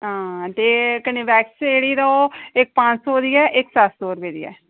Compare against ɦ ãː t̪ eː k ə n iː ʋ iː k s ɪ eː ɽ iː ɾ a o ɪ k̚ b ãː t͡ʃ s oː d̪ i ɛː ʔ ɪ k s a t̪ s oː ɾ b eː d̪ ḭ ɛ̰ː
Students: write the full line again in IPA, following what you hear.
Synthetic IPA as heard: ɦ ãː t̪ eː k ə n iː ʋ ɛː k s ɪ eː ɽ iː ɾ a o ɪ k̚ p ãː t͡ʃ s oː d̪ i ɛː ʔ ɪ k s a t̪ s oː ɾ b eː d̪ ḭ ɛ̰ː